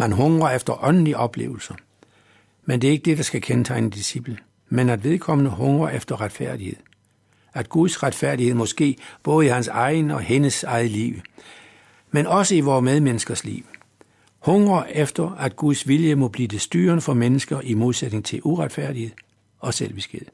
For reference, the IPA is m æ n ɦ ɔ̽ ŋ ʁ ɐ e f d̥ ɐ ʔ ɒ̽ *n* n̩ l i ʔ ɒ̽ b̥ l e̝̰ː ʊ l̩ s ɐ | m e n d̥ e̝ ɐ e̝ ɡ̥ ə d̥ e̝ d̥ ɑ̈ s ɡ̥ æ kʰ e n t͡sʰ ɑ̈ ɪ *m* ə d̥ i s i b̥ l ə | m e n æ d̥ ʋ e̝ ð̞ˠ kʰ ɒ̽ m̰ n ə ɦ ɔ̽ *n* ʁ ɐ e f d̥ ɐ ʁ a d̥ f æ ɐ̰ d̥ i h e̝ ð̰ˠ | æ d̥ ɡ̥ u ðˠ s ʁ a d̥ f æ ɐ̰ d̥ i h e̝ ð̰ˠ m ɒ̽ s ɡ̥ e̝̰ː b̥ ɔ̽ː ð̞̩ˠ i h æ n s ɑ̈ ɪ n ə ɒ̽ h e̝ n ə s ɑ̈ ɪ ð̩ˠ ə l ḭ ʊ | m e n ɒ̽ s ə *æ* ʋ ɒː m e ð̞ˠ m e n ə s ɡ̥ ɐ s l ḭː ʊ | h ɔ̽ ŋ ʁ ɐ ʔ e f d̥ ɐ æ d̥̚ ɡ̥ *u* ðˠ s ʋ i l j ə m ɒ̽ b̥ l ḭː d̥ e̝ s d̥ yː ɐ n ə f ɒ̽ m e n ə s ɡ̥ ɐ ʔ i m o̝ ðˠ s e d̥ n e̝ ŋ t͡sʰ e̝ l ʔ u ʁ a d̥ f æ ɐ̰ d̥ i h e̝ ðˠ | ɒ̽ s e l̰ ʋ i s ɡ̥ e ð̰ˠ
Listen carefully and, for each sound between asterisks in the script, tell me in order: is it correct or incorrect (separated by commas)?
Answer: correct, incorrect, incorrect, incorrect, correct